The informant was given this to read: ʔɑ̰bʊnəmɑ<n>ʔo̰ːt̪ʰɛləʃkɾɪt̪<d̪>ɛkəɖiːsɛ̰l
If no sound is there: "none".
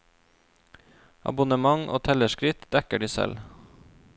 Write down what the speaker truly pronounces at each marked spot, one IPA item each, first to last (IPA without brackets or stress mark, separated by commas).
ŋ, d̪